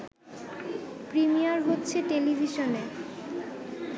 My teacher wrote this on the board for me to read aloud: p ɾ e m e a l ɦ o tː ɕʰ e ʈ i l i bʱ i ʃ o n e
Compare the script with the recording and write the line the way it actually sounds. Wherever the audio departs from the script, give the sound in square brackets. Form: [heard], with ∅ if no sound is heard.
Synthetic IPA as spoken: p ɾ [i] m [i] a [ɾ] ɦ o tː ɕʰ e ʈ [e] l i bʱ i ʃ o n e